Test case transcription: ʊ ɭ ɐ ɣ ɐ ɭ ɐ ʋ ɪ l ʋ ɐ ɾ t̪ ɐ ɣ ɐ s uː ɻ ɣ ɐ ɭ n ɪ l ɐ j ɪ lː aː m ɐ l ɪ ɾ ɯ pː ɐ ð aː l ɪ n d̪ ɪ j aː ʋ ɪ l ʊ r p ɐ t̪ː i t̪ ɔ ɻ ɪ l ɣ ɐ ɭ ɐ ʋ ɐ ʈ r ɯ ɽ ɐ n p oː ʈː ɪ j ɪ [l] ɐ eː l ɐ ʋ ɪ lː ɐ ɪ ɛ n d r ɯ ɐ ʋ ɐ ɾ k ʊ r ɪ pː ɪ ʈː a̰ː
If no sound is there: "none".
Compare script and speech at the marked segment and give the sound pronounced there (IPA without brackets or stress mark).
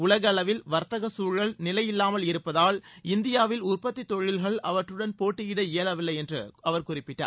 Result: ɽ